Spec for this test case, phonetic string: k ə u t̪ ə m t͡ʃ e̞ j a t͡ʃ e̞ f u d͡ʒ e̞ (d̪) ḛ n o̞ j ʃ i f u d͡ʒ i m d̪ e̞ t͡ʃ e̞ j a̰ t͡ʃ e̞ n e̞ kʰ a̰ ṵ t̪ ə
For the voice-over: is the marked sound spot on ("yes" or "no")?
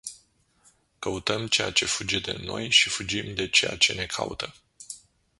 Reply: yes